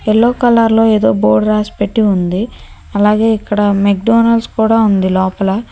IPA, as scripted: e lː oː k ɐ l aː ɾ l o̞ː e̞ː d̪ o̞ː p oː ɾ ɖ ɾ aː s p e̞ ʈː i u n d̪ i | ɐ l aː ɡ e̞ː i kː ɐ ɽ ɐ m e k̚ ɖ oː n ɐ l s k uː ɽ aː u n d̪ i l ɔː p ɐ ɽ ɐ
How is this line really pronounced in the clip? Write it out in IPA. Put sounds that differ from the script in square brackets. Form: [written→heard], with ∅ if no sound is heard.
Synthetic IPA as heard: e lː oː k ɐ l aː ɾ l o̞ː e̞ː d̪ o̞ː [p→b] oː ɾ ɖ ɾ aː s p e̞ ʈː i u n d̪ i | ɐ l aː ɡ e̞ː i kː ɐ ɽ ɐ m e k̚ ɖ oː n ɐ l s k uː ɽ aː u n d̪ i l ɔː p ɐ [ɽ→l] ɐ